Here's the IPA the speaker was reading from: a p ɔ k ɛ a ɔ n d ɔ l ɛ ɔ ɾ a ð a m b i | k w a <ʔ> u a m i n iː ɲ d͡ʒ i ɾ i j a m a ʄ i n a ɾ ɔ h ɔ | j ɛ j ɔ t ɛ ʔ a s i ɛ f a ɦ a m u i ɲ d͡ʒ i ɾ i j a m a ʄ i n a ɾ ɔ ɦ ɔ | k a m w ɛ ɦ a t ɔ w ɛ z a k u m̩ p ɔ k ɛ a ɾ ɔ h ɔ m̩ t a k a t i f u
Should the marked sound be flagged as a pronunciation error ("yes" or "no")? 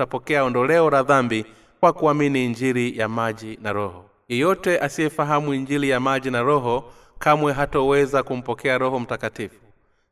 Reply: yes